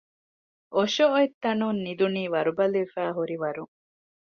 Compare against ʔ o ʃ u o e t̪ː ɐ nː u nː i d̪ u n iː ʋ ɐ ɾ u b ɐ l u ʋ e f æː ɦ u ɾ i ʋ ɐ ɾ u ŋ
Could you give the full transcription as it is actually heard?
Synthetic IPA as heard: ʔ o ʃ o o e t̪ː ɐ n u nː i d̪ u n iː ʋ ɐ ɾ u b ɐ l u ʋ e f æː ɦ u ɾ i ʋ ɐ ɾ u ŋ